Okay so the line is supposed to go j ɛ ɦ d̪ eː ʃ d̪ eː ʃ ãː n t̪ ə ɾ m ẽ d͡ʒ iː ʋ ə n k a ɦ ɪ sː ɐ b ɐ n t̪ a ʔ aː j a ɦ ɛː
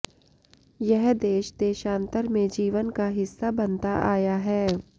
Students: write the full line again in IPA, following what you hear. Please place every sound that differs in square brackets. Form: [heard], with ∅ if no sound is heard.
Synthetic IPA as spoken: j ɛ ɦ d̪ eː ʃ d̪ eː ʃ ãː n t̪ ə ɾ m ẽ d͡ʒ iː ʋ ə n k a ɦ ɪ sː [a] b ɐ n t̪ a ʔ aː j a ɦ ɛː